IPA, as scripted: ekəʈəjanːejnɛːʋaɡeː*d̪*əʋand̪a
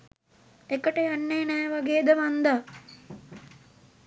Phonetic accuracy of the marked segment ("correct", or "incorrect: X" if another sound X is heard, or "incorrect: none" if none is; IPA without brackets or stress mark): correct